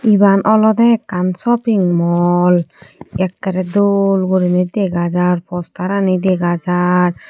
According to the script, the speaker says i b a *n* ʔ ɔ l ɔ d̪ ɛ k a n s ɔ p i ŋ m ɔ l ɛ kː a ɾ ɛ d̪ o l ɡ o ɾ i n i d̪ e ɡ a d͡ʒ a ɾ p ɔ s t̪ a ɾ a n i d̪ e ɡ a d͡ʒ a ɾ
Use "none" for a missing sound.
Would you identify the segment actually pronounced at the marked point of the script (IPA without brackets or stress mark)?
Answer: n